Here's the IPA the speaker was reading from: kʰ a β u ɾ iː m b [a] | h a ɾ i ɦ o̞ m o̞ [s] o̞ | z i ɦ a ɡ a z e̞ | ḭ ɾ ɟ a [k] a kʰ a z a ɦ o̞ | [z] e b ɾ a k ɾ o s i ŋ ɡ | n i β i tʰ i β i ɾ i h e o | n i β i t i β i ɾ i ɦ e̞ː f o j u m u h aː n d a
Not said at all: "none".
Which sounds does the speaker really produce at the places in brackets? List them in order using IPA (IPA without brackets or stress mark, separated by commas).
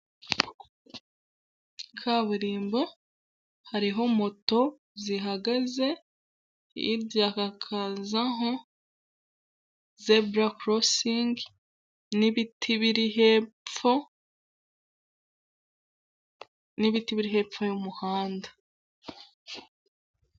a, t, k, z